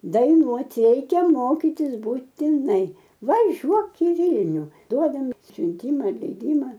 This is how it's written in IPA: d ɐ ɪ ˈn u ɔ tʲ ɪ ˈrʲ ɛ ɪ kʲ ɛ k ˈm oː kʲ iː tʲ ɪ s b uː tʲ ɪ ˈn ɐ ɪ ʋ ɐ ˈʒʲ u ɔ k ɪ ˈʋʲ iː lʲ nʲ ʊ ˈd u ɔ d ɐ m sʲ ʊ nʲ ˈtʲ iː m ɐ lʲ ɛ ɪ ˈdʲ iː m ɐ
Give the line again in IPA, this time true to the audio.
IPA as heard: d ɐ ɪ ˈn u ɔ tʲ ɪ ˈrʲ ɛ ɪ kʲ ɛ ˈm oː kʲ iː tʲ ɪ s b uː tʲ ɪ ˈn ɐ ɪ ʋ ɐ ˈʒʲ u ɔ k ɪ ˈʋʲ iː lʲ nʲ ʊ ˈd u ɔ d ɐ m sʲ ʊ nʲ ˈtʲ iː m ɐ lʲ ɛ ɪ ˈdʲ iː m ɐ